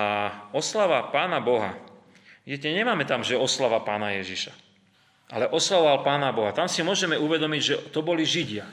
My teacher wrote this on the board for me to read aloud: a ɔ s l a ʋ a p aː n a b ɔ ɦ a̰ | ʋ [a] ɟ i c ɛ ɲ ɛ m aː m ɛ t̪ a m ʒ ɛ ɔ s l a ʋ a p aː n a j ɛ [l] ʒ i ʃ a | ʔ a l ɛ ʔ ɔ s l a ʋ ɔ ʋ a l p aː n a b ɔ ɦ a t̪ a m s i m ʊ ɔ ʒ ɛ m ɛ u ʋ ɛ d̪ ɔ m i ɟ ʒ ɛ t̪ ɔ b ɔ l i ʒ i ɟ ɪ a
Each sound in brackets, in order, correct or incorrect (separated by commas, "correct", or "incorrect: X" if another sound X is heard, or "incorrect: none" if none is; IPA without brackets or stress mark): incorrect: i, incorrect: none